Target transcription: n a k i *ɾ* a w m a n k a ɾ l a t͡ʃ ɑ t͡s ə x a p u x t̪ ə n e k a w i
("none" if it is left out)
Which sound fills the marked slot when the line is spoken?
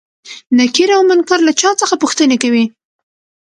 ɾ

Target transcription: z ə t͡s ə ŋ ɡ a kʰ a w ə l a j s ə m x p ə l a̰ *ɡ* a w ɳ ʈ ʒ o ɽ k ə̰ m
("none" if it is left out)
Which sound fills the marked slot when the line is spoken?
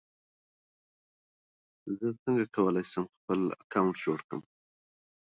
k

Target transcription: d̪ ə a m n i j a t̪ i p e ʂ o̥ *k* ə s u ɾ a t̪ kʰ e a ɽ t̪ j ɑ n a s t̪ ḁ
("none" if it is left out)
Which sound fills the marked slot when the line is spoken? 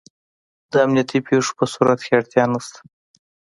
p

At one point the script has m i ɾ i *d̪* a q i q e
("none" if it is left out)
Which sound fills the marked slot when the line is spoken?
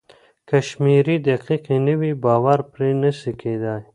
d̪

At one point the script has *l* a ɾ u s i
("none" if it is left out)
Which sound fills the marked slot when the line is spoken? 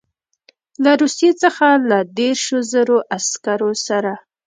l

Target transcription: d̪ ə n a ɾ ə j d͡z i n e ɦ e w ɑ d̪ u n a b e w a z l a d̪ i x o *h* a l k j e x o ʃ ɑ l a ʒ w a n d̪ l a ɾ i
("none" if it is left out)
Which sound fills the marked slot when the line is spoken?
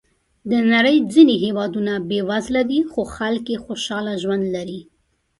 x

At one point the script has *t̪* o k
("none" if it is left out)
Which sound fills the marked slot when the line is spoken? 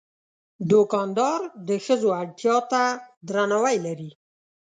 d̪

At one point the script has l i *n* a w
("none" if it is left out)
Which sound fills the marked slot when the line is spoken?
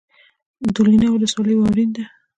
n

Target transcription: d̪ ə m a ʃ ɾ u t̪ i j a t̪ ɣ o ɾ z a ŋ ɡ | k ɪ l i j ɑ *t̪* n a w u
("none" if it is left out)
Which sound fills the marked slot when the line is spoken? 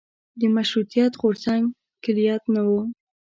t̪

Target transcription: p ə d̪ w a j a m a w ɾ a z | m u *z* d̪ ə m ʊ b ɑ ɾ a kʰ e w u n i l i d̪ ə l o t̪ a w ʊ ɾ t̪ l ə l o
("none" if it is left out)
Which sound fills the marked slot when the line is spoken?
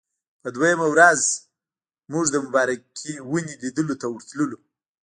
ʐ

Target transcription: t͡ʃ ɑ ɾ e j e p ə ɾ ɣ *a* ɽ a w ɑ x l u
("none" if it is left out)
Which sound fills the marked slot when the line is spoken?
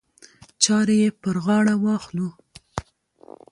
ɑ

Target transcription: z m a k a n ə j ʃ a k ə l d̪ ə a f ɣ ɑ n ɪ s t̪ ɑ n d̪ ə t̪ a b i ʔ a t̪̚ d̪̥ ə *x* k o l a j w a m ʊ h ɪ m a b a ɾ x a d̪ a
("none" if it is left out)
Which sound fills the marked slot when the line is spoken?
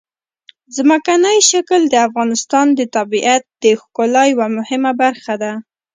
x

